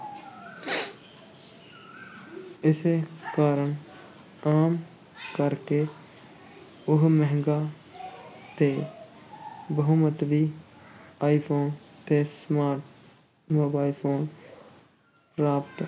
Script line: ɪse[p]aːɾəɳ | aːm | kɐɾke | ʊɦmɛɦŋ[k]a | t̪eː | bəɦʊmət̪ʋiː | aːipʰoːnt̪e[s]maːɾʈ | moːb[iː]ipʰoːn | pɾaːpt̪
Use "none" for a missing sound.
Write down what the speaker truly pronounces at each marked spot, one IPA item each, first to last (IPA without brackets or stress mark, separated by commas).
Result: k, ɡ, s, aː